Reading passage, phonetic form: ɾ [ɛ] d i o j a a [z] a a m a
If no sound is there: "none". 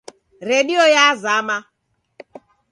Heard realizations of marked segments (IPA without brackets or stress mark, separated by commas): e, z